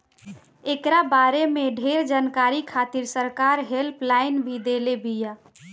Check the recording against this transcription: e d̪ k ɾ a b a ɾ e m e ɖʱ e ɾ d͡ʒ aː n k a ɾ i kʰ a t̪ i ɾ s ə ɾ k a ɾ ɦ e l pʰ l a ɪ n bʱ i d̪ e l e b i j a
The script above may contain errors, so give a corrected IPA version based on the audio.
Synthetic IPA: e k ɾ a b a ɾ e m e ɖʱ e ɾ d͡ʒ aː n k a ɾ i kʰ a t̪ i ɾ s ə ɾ k a ɾ ɦ e l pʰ l a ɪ n bʱ i d̪ e l e b i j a